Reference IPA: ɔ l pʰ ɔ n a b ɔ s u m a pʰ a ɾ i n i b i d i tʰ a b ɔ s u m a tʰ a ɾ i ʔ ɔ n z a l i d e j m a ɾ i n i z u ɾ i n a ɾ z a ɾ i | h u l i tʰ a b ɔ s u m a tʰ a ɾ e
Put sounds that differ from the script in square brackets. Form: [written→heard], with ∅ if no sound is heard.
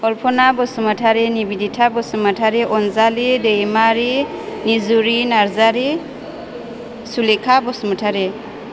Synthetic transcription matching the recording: ɔ l pʰ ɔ n a b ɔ s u m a [pʰ→tʰ] a ɾ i n i b i d i tʰ a b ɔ s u m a tʰ a ɾ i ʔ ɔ n z a l i d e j m a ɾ i n i z u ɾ i n a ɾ z a ɾ i | [h→s] u l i [tʰ→kʰ] a b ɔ s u m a tʰ a ɾ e